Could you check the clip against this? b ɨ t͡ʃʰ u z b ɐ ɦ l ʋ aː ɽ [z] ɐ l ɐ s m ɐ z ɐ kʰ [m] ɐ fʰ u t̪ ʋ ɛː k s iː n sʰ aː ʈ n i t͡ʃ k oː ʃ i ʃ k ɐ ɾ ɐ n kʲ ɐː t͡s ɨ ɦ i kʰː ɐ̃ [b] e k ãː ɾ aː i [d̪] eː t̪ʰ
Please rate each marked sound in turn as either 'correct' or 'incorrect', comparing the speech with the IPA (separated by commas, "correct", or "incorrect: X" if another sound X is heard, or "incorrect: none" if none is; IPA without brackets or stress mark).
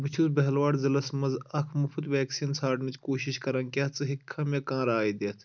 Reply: correct, correct, incorrect: m, correct